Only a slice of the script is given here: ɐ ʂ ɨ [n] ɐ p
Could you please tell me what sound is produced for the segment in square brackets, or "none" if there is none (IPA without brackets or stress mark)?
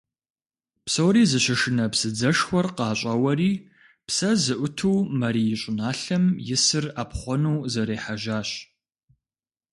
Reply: n